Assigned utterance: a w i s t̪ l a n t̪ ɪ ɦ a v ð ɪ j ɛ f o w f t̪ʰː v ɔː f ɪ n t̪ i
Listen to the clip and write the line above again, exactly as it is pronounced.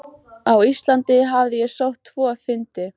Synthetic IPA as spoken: a w i s t̪ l a n t̪ ɪ ɦ a v ð ɪ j ɛ s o w h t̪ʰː v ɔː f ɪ n t̪ ɪ